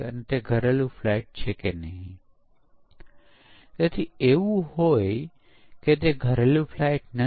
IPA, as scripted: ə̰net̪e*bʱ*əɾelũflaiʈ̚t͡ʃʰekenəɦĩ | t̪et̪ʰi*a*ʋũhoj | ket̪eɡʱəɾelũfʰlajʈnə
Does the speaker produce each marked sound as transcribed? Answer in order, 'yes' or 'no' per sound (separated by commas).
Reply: no, no